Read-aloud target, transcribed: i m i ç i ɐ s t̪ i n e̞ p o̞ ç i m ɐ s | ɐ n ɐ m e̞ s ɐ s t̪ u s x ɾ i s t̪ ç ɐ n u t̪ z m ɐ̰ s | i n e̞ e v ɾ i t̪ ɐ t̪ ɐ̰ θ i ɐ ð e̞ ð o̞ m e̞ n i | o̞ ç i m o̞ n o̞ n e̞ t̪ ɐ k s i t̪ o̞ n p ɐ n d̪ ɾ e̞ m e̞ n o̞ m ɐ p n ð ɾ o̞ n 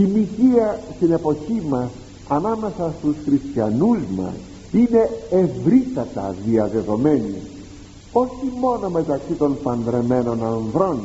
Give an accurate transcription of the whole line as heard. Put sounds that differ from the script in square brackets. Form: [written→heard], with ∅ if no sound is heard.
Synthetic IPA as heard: i m i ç i ɐ s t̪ i n e̞ p o̞ ç i m ɐ s | ɐ n ɐ m e̞ s ɐ s t̪ u s x ɾ i s t̪ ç ɐ n u [t̪→∅] z m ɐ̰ s | i n e̞ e v ɾ i t̪ ɐ t̪ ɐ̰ [θ→ð] i ɐ ð e̞ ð o̞ m e̞ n i | o̞ ç i m o̞ n o̞ [n→m] e̞ t̪ ɐ k s i t̪ o̞ n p ɐ n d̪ ɾ e̞ m e̞ n o̞ [m→n] ɐ [p→∅] n ð ɾ o̞ n